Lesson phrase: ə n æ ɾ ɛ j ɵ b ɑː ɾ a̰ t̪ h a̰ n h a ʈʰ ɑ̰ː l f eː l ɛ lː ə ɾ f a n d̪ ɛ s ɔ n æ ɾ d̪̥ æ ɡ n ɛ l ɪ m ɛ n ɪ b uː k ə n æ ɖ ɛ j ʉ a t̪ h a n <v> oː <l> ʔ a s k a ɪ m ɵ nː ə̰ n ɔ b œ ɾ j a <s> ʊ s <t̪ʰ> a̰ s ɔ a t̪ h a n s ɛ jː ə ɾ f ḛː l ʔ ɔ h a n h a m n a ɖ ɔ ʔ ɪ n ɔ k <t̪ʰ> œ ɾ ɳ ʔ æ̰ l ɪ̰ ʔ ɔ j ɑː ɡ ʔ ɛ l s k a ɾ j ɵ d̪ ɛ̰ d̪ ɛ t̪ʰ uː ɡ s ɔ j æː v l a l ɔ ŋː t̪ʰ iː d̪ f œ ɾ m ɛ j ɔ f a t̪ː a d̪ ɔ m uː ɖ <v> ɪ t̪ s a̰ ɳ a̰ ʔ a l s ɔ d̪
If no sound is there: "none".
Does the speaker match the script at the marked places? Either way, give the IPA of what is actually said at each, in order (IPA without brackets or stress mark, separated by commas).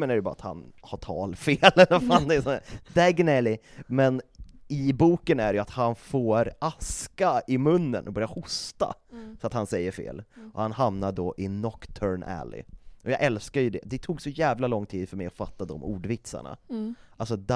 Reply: f, ɾ, h, t̪, t̪ʰ, v